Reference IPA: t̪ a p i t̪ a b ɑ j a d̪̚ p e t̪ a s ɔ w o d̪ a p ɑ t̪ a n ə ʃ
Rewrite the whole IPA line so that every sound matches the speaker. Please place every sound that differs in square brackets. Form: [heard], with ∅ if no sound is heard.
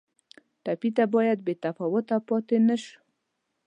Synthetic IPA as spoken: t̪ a p i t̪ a b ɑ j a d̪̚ [b] e t̪ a [f] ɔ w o [t̪] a p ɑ t̪ [e] n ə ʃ